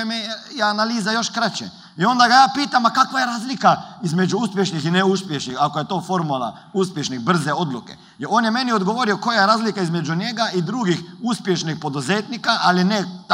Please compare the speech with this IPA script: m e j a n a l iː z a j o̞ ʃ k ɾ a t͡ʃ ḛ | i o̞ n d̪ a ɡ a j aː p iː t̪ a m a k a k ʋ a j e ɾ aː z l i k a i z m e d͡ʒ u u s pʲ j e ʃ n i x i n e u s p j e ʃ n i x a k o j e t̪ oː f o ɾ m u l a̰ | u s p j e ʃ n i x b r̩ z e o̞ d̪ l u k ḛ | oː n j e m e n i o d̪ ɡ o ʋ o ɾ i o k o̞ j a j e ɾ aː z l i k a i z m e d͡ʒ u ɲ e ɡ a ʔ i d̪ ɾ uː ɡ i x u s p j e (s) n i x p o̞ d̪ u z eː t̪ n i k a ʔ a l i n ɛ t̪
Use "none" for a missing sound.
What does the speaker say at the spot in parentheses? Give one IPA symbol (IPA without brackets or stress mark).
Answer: ʃ